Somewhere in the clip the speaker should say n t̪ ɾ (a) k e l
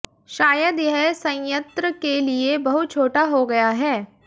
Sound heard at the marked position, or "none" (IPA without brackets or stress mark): ə